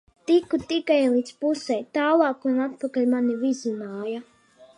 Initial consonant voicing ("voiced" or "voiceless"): voiceless